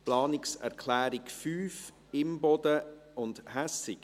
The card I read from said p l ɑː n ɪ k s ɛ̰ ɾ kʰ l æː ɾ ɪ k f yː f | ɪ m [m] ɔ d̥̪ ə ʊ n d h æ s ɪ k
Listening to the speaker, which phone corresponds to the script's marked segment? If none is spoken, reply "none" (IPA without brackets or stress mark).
b